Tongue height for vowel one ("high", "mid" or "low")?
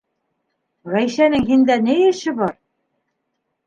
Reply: low